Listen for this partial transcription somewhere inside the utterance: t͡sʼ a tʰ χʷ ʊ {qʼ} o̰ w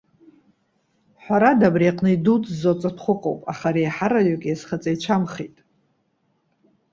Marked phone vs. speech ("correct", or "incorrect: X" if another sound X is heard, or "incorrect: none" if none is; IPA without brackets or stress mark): correct